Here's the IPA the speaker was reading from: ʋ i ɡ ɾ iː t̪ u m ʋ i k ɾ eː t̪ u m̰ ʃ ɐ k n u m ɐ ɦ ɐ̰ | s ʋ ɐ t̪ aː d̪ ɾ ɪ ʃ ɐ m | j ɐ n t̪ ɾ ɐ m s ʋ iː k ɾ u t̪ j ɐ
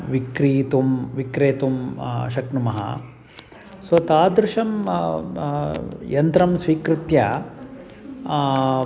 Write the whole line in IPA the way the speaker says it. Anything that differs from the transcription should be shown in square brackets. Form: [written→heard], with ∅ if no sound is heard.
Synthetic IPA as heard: ʋ i [ɡ→k] ɾ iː t̪ u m ʋ i k ɾ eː t̪ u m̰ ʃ ɐ k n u m ɐ ɦ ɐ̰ | s ʋ ɐ t̪ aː d̪ ɾ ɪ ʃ ɐ m | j ɐ n t̪ ɾ ɐ m s ʋ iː k ɾ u t̪ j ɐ